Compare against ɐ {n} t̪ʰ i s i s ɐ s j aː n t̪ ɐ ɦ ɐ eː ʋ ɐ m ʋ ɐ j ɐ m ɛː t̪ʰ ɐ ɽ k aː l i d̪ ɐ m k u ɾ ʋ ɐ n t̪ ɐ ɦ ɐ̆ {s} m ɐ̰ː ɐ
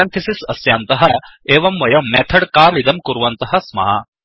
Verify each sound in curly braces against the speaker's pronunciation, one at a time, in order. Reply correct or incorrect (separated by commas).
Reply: correct, correct